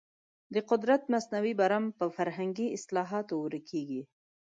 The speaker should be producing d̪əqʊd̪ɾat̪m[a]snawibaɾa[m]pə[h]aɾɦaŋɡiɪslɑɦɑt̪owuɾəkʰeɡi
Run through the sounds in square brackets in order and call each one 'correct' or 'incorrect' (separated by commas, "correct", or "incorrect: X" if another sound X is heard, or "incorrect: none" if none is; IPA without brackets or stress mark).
correct, correct, incorrect: f